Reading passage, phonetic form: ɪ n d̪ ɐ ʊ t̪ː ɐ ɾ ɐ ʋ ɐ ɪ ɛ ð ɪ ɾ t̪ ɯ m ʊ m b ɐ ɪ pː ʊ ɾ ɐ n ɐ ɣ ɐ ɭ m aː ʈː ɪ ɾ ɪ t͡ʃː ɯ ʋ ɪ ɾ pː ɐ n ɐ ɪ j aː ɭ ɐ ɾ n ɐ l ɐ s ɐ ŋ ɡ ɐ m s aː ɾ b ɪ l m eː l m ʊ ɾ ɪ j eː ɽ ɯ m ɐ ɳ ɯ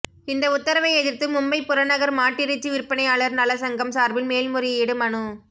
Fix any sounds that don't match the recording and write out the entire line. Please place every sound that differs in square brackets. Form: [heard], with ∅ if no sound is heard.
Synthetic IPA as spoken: ɪ n d̪ ɐ ʊ t̪ː ɐ ɾ ɐ ʋ ɐ ɪ ɛ ð ɪ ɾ t̪ ɯ m ʊ m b ɐ ɪ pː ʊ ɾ ɐ n ɐ ɣ ɐ [ɾ] m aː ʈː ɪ ɾ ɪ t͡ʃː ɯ ʋ ɪ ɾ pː ɐ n ɐ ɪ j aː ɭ ɐ ɾ n ɐ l ɐ s ɐ ŋ ɡ ɐ m s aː ɾ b ɪ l m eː l m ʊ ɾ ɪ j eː ɽ ɯ m ɐ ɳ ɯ